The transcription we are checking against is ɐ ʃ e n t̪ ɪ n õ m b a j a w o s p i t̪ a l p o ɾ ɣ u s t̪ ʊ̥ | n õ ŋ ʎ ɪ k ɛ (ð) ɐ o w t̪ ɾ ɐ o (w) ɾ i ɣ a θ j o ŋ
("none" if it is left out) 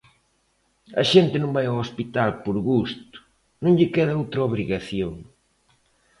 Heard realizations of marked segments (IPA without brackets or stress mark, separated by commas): ð, β